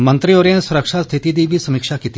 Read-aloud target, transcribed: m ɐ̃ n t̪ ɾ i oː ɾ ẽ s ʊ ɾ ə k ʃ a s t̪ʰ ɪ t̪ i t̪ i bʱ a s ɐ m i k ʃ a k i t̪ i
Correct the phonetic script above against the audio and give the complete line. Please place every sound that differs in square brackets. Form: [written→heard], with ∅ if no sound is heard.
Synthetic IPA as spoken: m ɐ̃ n t̪ ɾ i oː ɾ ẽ s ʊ ɾ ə k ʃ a s t̪ʰ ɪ t̪ i [t̪→d̪] i bʱ [a→i] s ɐ m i k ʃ a k i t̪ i